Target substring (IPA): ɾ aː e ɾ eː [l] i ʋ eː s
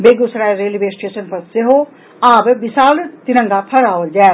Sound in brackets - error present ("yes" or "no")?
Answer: no